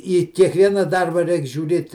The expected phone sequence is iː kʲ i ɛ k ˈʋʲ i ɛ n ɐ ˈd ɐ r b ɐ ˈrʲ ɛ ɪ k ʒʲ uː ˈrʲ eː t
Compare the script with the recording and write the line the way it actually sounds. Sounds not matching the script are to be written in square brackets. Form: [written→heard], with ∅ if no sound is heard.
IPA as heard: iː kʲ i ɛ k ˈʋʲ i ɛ n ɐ ˈd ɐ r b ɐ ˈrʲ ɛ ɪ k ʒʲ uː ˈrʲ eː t